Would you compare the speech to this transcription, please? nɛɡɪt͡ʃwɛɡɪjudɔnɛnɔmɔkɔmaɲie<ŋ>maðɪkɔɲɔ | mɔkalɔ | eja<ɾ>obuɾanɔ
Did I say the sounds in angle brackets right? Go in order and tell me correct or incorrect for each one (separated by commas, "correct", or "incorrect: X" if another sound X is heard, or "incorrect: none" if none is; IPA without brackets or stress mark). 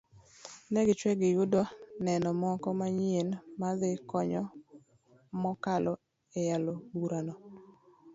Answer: incorrect: n, incorrect: l